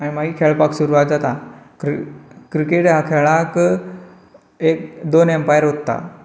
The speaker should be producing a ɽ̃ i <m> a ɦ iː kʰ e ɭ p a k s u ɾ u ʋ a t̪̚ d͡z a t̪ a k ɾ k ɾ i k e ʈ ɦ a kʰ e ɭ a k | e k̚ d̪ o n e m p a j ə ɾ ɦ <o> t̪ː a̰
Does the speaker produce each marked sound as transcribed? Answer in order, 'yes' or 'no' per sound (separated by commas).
yes, yes